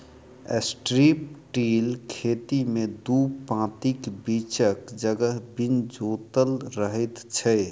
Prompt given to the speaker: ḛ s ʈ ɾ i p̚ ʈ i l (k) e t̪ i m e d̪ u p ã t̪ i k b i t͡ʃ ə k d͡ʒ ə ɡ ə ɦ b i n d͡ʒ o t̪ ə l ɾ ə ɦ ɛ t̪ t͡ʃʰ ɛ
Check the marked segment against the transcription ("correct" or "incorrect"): incorrect